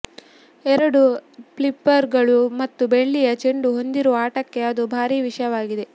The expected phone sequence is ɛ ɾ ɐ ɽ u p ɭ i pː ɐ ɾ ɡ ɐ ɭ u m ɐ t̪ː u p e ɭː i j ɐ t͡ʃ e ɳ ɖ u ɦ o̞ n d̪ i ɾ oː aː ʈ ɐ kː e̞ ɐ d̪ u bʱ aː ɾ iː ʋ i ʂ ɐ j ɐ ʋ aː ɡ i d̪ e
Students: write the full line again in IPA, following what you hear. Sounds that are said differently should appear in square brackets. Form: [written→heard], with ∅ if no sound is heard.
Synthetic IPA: ɛ ɾ ɐ ɽ u p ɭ i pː ɐ ɾ ɡ ɐ ɭ u m ɐ t̪ː u [p→b] e ɭː i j ɐ t͡ʃ e ɳ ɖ u ɦ o̞ n d̪ i ɾ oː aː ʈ ɐ kː e̞ ɐ d̪ u bʱ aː ɾ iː ʋ i ʂ ɐ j ɐ ʋ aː ɡ i d̪ e